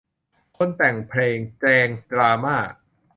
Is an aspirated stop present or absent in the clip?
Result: present